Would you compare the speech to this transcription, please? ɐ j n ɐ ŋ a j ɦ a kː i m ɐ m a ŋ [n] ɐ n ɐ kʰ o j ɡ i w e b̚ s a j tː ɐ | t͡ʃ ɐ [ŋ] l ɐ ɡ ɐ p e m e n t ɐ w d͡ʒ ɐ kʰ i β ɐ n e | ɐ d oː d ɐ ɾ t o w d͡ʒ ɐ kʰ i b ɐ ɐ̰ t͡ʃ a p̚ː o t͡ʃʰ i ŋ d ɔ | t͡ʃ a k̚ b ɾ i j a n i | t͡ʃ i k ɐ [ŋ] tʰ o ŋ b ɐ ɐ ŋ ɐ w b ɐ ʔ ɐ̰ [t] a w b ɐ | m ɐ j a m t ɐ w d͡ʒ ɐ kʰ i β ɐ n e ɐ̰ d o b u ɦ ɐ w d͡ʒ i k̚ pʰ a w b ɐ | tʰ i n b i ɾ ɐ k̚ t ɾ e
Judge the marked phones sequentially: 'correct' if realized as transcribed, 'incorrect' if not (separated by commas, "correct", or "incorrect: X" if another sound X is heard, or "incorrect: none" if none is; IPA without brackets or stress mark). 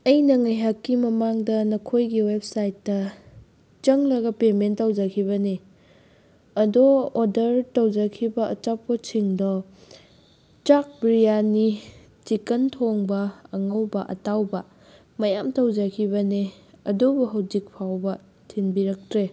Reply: incorrect: d, correct, incorrect: n, correct